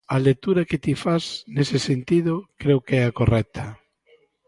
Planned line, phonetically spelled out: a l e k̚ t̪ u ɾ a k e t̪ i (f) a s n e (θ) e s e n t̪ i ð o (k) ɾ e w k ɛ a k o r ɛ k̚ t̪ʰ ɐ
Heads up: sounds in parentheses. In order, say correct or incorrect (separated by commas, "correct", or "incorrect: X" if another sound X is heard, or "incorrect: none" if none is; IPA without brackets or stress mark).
correct, incorrect: s, correct